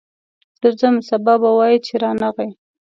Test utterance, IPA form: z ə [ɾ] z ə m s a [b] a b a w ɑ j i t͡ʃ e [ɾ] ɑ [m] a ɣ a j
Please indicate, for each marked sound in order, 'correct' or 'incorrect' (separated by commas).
correct, correct, correct, incorrect